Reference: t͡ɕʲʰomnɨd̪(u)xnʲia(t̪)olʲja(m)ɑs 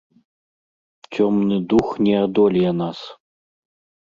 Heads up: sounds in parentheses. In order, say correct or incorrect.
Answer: correct, incorrect: d̪, incorrect: n

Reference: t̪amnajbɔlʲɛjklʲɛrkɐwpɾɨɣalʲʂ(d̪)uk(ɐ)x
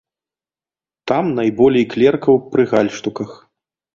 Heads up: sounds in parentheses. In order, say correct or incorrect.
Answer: incorrect: t̪, correct

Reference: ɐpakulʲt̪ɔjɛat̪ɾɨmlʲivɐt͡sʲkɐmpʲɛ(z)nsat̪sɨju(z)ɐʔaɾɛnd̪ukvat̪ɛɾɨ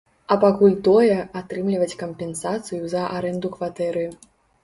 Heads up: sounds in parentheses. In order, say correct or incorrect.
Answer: incorrect: none, correct

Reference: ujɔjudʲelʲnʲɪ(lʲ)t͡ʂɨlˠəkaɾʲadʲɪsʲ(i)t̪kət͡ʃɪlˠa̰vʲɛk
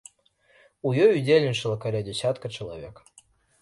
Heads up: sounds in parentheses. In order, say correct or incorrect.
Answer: incorrect: none, incorrect: a

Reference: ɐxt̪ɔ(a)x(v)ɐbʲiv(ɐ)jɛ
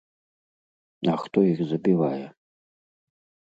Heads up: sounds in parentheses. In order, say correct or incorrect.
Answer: incorrect: i, incorrect: z, incorrect: a

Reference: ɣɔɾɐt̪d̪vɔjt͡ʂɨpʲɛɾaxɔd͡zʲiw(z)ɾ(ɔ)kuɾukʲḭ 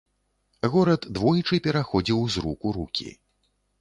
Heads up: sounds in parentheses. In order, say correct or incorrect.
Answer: correct, incorrect: u

